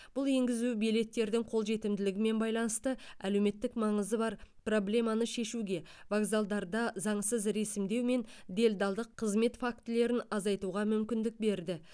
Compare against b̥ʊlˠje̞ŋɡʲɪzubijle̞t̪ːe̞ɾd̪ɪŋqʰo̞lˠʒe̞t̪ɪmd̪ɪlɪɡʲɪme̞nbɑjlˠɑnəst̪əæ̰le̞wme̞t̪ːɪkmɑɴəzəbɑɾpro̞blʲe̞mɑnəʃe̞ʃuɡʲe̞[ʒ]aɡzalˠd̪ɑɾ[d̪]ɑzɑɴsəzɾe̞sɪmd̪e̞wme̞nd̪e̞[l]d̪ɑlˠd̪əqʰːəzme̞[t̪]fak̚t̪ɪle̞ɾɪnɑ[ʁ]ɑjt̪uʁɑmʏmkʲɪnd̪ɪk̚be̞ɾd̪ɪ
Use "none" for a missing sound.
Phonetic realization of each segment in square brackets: v, d̪, l, t̪, z

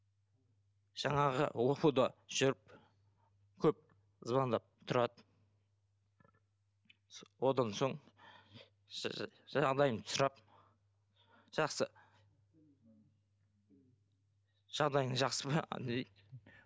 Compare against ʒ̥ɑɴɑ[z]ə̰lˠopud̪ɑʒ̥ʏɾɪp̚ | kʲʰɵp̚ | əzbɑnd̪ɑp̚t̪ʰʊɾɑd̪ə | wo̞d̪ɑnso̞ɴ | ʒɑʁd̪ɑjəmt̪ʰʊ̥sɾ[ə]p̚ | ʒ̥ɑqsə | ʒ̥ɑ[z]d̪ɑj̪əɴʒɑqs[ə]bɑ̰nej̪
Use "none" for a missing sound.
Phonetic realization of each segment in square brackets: ʁ, ɑ, ʁ, ə

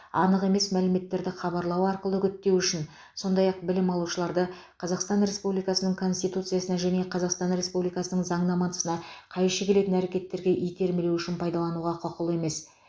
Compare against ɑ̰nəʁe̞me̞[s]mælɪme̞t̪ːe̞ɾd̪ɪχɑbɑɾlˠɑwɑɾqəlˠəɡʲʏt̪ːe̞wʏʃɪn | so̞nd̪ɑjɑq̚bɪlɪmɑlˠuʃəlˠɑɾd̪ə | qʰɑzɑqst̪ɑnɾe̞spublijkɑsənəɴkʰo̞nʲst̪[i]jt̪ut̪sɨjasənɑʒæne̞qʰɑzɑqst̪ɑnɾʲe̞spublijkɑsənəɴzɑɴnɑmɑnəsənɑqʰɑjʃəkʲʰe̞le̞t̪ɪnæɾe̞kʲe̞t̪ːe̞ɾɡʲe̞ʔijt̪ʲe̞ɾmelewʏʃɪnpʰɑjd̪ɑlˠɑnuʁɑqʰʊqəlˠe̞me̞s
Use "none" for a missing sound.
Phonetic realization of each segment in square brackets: s, i

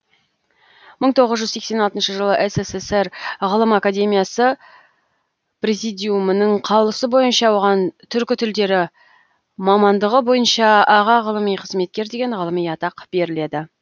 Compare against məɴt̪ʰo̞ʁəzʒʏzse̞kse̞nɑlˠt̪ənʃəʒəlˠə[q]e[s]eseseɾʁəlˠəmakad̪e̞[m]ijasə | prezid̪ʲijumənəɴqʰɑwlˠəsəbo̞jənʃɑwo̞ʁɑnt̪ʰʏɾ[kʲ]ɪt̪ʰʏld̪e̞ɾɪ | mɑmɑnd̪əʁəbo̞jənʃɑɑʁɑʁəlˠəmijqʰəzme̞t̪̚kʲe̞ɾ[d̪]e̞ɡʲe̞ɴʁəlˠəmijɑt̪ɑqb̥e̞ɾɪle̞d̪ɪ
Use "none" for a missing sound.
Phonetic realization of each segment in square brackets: ʔ, s, m, kʲ, d̪

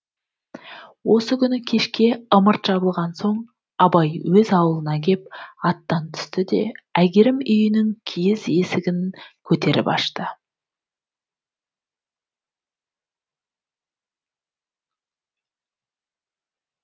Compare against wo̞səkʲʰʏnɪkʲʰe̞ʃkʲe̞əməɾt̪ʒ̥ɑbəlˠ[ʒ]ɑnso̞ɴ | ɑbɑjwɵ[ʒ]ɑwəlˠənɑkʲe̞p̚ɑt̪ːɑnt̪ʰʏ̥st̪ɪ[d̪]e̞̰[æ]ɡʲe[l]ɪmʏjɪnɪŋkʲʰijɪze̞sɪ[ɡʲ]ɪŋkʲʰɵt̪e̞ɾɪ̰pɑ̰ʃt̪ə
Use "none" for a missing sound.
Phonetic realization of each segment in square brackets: ʁ, z, d̪, æ, ɾ, ɡʲ

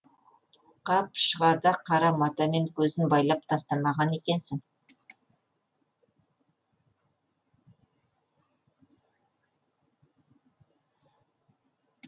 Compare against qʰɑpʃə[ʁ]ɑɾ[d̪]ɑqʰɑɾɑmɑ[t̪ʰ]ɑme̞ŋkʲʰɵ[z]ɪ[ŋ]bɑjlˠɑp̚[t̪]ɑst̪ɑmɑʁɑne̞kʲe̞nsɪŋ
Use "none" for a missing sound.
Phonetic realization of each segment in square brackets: ʁ, d̪, t̪, z, n, t̪ʰ

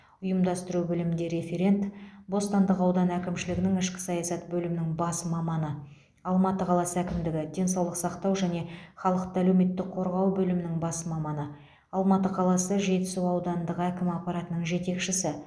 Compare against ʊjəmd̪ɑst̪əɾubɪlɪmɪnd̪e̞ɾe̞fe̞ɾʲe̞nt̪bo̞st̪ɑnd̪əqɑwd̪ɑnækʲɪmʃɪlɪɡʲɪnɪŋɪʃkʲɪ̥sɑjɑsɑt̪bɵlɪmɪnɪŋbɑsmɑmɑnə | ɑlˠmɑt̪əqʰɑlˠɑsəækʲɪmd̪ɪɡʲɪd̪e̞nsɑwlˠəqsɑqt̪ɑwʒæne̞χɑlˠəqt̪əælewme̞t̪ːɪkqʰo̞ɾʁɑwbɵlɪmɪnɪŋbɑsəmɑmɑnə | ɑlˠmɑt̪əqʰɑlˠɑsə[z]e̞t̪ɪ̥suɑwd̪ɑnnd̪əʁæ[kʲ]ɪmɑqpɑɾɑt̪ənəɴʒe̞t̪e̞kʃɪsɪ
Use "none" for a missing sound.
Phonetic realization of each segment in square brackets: ʒ, kʲ

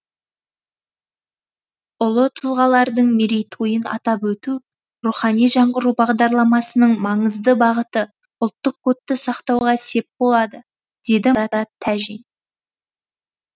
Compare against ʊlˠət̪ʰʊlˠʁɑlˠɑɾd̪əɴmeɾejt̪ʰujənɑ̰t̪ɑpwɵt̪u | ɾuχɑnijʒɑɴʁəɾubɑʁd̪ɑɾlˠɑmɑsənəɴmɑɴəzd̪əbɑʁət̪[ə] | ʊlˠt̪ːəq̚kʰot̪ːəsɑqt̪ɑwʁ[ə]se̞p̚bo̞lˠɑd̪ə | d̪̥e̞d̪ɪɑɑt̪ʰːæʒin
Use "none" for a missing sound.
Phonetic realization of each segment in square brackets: ə, ɑ

